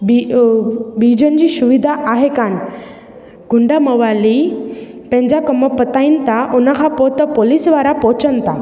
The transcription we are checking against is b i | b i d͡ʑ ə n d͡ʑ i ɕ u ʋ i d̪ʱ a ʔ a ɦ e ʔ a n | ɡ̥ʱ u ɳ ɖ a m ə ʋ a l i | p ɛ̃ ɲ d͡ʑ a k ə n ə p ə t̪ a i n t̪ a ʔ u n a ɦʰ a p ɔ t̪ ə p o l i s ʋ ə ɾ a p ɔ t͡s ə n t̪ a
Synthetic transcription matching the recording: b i | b i d͡ʑ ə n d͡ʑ i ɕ u ʋ i d̪ʱ a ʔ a ɦ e k a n | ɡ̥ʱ u ɳ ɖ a m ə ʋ a l i | p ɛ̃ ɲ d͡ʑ a k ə m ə p ə t̪ a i n t̪ a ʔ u n a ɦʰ a p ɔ t̪ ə p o l i s ʋ a ɾ a p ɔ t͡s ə n t̪ a